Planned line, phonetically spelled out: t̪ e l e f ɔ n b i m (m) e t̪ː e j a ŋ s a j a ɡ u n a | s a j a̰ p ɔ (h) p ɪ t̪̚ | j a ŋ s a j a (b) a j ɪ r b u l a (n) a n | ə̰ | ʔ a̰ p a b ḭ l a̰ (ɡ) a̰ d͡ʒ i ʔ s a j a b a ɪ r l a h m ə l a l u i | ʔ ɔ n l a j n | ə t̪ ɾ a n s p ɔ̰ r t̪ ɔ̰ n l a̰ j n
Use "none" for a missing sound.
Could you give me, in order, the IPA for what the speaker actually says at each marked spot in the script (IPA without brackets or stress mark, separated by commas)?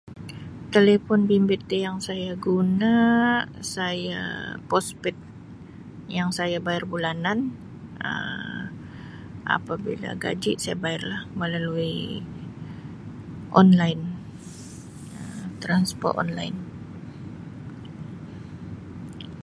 b, s, b, n, ɡ